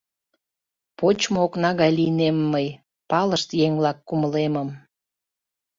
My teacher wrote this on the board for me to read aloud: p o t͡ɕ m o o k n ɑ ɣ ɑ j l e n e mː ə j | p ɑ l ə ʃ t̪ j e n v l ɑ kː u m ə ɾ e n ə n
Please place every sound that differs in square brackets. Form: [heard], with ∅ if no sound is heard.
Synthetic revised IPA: p o t͡ɕ m o o k n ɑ ɣ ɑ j l [i] n e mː ə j | p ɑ l ə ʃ t̪ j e [ŋ] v l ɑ kː u m ə [l] e [m] ə [m]